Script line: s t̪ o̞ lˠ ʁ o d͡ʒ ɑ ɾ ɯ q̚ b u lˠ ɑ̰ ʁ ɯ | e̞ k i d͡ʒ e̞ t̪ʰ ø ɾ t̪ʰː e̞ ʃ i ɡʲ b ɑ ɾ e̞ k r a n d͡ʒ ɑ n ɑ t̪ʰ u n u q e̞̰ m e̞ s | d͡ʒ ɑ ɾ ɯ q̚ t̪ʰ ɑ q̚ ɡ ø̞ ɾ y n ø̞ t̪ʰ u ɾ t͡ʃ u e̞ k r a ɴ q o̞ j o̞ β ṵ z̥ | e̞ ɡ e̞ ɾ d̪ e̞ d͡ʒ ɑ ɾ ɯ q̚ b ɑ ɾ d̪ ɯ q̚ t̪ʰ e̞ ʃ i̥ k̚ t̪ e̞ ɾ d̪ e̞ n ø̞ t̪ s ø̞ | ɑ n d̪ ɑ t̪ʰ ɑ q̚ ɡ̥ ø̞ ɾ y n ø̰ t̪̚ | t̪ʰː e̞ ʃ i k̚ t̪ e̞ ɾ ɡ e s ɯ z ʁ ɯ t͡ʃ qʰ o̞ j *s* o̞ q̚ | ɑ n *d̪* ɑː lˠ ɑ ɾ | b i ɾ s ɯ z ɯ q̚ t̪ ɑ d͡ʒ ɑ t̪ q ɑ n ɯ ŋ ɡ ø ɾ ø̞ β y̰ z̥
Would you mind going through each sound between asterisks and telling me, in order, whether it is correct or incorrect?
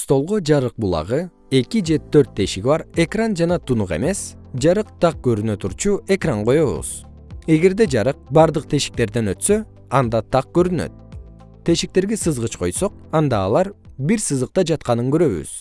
correct, correct

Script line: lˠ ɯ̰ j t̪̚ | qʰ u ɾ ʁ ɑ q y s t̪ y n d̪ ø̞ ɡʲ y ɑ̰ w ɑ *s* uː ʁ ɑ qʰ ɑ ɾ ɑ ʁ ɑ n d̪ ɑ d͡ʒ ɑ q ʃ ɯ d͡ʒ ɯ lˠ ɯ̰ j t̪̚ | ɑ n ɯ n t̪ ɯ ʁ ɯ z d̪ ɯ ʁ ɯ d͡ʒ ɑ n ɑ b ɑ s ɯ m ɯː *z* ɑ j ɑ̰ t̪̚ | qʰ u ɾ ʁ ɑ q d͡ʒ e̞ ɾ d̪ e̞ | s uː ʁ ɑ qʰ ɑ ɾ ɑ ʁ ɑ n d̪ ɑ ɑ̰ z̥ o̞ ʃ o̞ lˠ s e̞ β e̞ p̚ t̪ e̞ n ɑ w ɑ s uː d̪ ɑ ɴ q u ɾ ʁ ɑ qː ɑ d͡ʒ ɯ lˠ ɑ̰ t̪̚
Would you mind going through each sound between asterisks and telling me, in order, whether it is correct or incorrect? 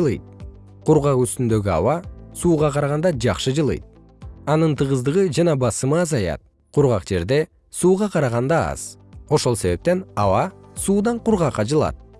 correct, correct

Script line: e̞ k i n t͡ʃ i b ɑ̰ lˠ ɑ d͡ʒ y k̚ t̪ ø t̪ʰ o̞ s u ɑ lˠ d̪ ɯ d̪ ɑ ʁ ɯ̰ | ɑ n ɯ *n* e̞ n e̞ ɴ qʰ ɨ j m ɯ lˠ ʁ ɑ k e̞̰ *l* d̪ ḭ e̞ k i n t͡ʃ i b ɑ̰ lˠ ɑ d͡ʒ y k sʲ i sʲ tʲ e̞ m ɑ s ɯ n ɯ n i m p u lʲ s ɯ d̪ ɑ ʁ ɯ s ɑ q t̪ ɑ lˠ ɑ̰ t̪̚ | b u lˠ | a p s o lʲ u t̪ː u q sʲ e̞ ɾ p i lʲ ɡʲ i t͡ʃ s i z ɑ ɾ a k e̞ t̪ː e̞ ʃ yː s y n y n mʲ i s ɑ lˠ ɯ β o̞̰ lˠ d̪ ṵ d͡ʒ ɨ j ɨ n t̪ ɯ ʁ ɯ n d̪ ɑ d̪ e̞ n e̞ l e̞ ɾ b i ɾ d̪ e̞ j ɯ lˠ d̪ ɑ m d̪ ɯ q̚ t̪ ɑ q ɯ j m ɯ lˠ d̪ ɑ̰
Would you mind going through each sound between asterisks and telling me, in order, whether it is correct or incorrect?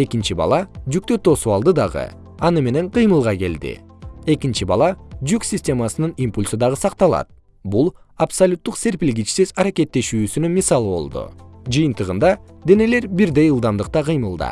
incorrect, correct

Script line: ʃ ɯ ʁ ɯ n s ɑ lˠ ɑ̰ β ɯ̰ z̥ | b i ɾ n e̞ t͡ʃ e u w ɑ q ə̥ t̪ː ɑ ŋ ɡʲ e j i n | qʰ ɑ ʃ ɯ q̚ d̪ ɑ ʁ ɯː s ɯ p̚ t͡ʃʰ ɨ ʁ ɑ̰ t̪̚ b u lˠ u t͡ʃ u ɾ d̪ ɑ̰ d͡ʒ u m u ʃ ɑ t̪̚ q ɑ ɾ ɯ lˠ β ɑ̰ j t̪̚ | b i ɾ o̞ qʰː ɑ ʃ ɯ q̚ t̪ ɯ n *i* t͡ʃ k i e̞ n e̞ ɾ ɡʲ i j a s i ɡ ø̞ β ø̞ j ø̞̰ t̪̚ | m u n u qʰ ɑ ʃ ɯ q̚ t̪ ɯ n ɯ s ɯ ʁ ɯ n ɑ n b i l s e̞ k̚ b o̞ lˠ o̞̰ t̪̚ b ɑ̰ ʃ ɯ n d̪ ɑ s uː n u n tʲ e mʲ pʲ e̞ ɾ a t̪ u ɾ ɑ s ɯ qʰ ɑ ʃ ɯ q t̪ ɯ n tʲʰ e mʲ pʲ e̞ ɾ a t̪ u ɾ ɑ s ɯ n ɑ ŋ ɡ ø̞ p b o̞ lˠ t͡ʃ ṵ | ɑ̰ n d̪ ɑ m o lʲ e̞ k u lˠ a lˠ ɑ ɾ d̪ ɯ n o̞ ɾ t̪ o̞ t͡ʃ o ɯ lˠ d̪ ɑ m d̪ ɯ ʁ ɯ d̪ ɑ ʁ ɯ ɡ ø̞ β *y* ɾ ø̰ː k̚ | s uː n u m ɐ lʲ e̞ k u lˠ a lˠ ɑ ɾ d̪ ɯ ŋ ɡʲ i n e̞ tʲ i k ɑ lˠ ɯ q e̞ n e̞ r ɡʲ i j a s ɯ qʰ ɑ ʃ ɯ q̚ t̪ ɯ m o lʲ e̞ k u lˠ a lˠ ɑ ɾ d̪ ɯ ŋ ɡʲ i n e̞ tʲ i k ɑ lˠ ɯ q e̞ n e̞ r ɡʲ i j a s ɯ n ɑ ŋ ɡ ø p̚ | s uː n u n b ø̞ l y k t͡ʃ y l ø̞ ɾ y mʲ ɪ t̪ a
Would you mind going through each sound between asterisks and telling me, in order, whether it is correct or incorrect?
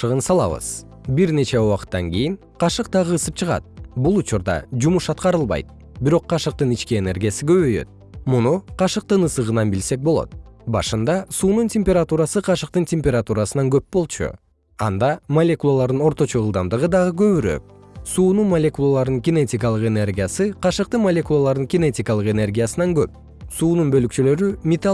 correct, correct

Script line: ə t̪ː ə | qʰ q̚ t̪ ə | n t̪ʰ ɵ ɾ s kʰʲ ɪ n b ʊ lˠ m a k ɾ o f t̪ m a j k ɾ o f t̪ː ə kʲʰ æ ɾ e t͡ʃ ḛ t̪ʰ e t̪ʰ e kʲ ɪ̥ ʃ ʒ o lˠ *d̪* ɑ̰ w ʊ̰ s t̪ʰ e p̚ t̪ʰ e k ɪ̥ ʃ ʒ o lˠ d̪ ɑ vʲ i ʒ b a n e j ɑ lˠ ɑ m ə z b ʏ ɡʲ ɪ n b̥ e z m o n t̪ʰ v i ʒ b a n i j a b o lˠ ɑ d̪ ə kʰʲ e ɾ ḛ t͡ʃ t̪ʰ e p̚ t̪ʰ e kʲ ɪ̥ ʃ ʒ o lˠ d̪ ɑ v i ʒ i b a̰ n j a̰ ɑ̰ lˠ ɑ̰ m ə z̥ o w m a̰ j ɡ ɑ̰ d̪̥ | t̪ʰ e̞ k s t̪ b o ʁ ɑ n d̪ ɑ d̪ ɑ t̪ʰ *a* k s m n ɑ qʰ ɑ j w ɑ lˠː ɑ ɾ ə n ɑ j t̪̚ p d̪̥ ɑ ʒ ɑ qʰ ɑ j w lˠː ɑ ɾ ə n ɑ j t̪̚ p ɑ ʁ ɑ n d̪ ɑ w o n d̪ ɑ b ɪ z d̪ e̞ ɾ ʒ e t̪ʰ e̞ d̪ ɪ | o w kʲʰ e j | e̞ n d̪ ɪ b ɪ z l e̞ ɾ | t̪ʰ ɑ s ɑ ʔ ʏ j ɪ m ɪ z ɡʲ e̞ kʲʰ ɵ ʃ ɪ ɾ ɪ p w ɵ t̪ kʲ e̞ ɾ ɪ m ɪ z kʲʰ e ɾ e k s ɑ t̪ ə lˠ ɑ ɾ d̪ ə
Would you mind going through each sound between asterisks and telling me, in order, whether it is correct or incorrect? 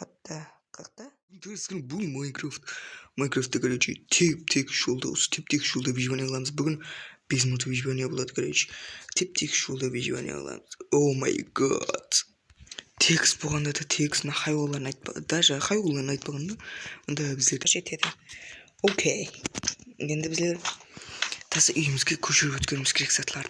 correct, incorrect

